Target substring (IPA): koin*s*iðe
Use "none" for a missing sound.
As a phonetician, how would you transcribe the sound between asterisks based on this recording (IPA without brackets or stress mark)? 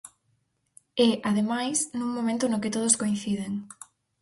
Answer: θ